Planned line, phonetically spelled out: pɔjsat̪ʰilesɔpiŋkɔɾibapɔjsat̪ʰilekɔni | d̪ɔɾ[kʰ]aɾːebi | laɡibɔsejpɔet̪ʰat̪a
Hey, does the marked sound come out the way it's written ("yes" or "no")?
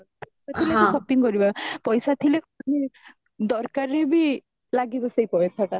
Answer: no